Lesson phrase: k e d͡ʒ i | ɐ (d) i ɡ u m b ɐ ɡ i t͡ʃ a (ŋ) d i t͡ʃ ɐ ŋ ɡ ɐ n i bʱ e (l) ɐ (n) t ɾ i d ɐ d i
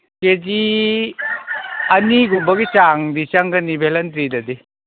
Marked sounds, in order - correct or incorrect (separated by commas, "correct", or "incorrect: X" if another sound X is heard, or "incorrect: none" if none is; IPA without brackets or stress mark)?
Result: incorrect: n, correct, correct, correct